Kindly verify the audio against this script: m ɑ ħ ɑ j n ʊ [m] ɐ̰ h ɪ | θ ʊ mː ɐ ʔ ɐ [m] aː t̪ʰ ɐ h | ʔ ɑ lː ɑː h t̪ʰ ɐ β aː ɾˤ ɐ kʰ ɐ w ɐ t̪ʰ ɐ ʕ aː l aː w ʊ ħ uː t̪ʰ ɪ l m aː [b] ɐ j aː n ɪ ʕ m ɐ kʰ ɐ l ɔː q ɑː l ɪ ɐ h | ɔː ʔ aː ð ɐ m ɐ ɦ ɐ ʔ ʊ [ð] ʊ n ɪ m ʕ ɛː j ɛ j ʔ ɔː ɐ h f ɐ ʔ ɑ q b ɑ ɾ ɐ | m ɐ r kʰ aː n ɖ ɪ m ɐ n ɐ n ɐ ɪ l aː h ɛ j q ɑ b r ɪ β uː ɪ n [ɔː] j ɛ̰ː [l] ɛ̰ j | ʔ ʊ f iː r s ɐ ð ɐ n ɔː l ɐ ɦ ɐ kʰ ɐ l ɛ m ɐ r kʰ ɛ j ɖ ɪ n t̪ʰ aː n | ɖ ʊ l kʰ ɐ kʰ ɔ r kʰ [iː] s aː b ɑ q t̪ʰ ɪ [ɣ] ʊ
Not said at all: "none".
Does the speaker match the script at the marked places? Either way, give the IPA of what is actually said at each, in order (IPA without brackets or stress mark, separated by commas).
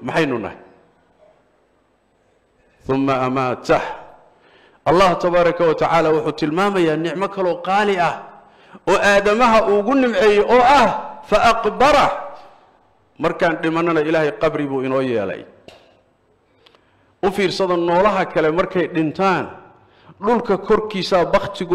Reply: n, m, m, ɣ, ɔː, l, iː, ɣ